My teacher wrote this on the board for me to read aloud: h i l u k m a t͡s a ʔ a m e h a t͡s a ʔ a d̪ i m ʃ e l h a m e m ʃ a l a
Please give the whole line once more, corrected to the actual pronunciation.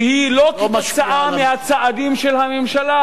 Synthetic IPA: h i l o k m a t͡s a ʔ a m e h a t͡s a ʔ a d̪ i m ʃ e l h a m e m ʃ a l a